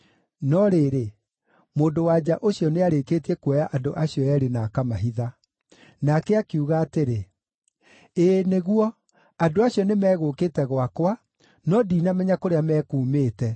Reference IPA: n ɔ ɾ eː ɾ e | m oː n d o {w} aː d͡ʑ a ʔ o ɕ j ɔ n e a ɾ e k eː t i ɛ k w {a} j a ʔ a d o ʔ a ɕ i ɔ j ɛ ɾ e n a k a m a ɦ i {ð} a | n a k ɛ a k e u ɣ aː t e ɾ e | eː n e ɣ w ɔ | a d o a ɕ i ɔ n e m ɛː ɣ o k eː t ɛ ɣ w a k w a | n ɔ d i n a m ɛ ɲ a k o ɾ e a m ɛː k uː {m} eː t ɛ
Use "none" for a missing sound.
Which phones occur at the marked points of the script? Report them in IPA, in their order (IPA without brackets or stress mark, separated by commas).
w, ɛ, ð, m